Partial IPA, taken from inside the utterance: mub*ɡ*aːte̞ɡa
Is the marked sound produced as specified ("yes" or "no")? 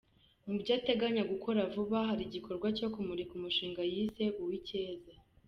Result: no